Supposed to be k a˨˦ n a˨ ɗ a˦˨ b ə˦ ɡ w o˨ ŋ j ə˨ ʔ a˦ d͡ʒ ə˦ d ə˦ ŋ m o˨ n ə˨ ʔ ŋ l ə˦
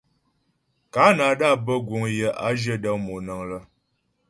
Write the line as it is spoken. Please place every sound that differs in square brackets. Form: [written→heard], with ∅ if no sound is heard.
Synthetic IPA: k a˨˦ n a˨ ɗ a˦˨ b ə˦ ɡ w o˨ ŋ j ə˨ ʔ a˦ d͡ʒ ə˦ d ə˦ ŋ m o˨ n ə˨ [ʔ→∅] ŋ l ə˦